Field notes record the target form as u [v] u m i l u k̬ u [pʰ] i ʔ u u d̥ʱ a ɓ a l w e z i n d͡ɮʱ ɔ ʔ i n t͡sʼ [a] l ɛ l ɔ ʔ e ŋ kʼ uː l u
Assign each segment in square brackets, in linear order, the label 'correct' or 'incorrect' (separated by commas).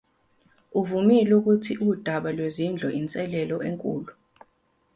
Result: correct, incorrect, incorrect